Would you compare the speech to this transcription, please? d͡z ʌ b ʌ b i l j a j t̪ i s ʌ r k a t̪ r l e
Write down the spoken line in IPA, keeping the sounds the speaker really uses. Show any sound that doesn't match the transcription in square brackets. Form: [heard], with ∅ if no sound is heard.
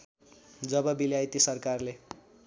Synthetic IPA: d͡z ʌ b ʌ b i l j a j t̪ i s ʌ r k a [∅] r l e